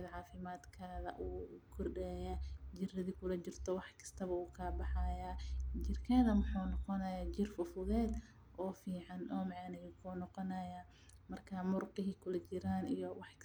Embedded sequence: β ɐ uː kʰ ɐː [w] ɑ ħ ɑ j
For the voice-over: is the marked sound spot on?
no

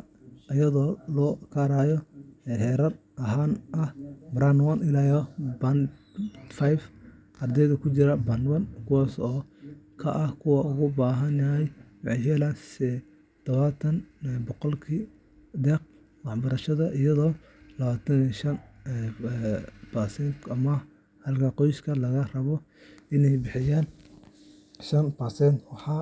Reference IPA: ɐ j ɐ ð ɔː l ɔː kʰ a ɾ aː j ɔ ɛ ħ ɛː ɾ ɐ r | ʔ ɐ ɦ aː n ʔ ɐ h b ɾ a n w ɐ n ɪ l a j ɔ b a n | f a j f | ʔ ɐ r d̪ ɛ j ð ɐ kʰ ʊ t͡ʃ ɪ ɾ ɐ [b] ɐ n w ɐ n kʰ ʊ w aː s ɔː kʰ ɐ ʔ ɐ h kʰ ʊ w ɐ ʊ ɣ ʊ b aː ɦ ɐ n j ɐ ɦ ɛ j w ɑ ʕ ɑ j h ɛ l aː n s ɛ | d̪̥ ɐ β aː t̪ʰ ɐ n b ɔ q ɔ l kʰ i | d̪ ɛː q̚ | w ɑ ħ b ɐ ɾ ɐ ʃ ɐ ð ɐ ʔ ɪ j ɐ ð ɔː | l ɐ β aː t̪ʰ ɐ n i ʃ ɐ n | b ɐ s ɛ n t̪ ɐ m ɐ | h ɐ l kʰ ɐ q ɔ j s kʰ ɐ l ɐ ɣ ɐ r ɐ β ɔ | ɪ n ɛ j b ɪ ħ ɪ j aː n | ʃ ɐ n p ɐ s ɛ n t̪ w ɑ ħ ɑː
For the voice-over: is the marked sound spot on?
yes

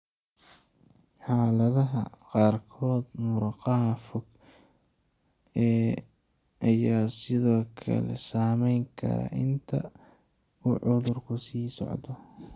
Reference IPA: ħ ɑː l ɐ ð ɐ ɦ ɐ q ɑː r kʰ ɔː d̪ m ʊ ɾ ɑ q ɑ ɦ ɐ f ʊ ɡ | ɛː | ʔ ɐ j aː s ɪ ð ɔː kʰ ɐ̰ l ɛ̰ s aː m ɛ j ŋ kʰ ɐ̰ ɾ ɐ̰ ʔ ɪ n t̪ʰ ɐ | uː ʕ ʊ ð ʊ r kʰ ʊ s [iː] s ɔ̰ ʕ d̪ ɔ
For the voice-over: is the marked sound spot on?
yes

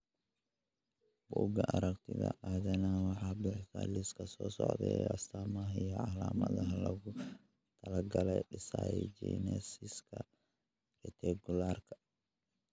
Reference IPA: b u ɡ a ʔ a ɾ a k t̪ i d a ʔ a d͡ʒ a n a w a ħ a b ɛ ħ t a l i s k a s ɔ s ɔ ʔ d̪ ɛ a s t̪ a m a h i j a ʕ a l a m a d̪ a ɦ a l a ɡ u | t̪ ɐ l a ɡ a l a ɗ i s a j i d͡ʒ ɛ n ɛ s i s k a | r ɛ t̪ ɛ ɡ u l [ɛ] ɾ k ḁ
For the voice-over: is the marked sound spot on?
no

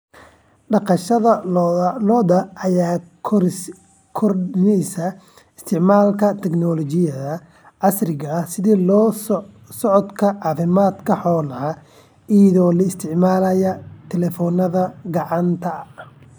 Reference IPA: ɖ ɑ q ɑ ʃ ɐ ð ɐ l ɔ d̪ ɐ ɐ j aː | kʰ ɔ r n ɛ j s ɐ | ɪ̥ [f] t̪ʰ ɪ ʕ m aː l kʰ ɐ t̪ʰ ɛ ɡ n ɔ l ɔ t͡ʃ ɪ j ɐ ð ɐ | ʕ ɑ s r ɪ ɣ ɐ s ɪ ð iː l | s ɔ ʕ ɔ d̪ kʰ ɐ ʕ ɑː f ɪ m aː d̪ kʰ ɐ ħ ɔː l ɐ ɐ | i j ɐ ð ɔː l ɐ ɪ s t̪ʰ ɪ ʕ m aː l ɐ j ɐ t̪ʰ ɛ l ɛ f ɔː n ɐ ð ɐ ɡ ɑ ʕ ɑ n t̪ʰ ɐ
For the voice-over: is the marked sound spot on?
no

